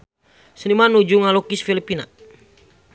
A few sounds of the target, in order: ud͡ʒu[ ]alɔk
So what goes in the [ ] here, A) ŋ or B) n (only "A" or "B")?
A